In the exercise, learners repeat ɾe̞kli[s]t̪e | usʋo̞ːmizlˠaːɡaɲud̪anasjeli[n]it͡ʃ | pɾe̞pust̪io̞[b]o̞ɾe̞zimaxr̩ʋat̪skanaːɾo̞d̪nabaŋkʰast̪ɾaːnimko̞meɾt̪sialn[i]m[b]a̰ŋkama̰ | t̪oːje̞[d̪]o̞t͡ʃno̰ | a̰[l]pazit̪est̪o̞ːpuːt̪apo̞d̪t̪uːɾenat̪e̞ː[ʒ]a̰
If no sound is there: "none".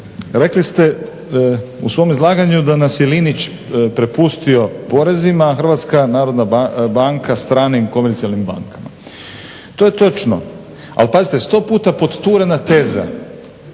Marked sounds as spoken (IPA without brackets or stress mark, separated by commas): s, n, p, i, b, t̪, l, z